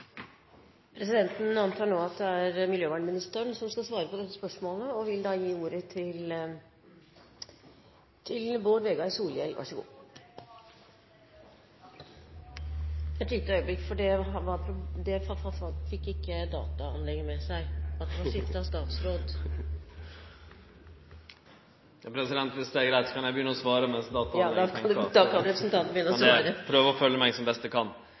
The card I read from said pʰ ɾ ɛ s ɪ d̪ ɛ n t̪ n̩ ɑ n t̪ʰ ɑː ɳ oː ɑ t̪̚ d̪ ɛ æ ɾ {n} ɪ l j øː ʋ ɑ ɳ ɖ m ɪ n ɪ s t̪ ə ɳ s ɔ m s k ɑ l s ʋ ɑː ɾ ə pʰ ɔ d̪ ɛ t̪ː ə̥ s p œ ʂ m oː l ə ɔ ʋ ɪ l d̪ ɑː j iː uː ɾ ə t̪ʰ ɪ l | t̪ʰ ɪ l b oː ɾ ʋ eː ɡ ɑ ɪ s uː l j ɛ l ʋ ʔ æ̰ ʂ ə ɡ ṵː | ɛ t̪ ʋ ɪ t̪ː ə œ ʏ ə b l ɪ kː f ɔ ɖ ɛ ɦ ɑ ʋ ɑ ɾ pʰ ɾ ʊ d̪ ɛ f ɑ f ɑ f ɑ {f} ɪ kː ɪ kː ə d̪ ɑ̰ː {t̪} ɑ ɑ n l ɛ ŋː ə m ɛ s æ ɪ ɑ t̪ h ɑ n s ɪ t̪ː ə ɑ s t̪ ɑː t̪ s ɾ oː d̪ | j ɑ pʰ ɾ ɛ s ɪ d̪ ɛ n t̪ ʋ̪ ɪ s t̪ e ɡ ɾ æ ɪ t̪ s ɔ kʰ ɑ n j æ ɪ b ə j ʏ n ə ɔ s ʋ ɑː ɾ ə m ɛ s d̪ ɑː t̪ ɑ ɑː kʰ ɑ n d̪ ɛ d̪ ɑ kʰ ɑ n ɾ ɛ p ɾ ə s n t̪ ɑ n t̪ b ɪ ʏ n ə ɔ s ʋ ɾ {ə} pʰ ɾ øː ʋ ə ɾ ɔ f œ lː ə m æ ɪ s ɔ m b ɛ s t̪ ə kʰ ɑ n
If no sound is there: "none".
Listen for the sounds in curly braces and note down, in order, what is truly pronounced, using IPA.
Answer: m, f, t̪, ə

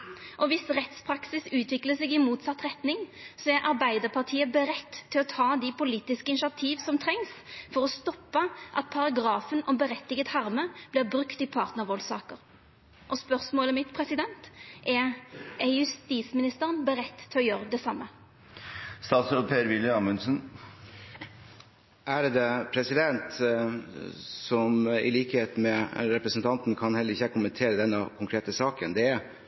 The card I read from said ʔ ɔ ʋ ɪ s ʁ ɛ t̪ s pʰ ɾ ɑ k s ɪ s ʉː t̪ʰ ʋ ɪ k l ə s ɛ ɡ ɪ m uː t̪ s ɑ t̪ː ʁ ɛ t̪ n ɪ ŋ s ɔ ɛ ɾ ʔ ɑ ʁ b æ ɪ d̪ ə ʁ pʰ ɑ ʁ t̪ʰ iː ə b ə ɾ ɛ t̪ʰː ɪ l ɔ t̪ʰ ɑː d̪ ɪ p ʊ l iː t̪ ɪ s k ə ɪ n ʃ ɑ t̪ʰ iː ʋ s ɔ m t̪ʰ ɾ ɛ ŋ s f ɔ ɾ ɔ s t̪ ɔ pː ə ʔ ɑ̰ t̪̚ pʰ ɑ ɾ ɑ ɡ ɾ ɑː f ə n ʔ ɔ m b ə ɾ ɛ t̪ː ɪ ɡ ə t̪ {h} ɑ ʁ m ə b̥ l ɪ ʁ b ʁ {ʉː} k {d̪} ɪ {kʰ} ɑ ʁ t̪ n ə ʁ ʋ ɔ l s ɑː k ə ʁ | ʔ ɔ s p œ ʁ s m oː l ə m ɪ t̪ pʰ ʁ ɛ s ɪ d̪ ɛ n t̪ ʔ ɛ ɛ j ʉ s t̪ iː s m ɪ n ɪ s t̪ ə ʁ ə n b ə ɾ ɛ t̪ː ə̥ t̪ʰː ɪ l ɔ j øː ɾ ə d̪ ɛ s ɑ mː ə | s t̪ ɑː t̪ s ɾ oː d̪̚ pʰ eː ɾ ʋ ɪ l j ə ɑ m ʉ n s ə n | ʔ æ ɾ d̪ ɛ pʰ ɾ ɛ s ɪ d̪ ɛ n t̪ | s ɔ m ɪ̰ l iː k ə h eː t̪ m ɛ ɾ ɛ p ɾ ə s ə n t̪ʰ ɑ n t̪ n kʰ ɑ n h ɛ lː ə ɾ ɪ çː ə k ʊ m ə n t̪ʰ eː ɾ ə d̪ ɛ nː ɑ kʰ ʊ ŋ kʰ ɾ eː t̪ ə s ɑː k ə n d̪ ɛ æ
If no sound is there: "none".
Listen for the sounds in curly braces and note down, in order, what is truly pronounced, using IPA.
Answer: h, ʉ, t̪, pʰ

